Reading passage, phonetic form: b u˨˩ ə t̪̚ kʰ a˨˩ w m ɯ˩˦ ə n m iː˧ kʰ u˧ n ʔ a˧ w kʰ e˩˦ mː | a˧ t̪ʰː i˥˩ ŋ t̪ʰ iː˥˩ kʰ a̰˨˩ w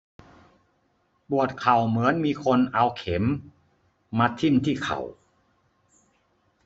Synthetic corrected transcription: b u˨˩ ə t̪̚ kʰ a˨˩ w m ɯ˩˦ ə n m iː˧ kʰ o˧ n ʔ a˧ w kʰ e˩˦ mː | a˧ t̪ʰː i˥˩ m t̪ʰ iː˥˩ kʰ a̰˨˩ w